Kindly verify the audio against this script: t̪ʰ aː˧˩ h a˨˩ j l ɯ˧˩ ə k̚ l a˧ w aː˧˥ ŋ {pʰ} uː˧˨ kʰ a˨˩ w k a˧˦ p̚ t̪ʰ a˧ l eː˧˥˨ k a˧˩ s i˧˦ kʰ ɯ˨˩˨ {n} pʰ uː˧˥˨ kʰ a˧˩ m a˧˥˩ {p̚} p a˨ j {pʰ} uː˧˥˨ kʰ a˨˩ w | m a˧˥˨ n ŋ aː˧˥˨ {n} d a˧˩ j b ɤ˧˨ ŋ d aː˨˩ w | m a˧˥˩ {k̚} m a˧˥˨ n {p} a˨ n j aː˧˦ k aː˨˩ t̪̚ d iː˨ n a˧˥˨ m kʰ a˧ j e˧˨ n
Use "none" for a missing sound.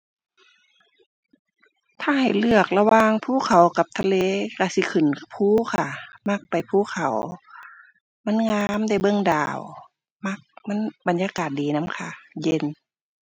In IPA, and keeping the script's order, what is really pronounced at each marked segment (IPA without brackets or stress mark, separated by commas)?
pʰ, n, k̚, pʰ, m, k̚, b